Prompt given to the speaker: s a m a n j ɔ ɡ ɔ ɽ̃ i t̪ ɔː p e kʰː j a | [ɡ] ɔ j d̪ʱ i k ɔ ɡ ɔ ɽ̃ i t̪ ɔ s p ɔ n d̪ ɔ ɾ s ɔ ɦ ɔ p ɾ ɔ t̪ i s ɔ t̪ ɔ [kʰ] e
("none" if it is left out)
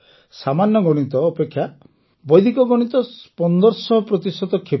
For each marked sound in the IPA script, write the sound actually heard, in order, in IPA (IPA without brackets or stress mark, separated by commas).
b, kʰ